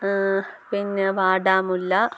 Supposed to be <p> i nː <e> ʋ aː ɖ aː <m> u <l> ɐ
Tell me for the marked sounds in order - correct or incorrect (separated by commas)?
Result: correct, correct, correct, incorrect